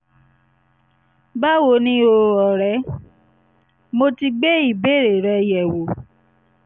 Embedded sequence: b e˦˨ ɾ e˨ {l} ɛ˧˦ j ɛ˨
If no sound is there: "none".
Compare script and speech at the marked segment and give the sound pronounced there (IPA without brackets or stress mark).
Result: ɾ